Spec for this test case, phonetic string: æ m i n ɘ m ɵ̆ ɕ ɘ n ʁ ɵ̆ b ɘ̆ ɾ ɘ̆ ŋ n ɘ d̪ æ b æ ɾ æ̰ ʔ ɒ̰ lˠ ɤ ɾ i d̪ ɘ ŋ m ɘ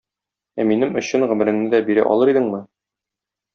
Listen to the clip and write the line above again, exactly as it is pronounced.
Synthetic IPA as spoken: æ m i n ɘ m ɵ̆ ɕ ɘ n ʁ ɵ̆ m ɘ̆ ɾ ɘ̆ ŋ n ɘ d̪ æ b i ɾ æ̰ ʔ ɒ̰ lˠ ɤ ɾ i d̪ ɘ ŋ m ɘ